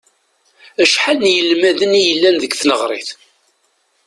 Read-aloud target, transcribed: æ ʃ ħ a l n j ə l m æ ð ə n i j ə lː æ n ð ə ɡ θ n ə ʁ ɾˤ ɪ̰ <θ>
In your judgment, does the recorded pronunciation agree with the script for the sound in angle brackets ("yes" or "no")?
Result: yes